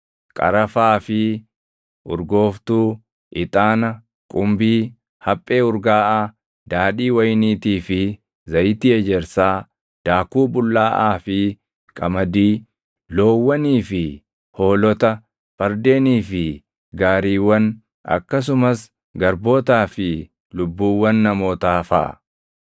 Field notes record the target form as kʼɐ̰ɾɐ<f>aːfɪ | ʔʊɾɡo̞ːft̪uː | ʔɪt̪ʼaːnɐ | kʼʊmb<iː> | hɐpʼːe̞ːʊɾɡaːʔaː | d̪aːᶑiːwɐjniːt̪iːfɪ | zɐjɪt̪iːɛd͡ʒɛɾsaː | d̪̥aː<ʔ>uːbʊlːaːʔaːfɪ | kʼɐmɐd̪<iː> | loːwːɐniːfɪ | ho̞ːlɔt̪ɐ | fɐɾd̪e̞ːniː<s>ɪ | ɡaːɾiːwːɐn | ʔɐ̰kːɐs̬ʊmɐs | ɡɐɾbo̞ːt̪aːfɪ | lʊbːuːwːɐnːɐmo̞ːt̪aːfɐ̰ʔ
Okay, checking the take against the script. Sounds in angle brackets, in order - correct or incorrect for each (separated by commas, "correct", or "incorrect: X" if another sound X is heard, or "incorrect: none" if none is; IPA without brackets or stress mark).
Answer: correct, correct, incorrect: k, correct, incorrect: f